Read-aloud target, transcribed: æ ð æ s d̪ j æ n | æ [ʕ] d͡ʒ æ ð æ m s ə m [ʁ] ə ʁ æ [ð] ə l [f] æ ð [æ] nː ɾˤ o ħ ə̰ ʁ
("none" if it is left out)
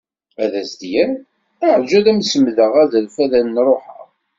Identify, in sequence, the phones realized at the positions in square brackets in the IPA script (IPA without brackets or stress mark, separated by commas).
ʕ, ð, ð, f, æ